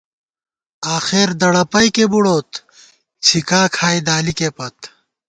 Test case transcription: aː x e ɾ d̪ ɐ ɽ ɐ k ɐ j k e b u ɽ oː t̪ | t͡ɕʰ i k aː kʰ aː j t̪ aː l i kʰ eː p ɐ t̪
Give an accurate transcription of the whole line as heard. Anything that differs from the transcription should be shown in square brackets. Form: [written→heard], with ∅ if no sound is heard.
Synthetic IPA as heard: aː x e ɾ d̪ ɐ ɽ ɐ [k→p] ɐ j k e b u ɽ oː t̪ | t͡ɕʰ i k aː kʰ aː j [t̪→d̪] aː l i [kʰ→k] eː p ɐ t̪